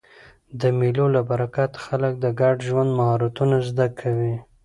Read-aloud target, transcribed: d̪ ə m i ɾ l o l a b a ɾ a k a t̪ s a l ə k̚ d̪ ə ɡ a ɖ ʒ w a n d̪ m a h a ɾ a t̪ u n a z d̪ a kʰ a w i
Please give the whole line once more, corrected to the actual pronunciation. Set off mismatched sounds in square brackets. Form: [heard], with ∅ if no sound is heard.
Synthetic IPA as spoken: d̪ ə m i [∅] l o l a b a ɾ a k a t̪ [x] a l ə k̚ d̪ ə ɡ a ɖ ʒ w a n d̪ m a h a ɾ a t̪ u n a z d̪ a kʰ a w i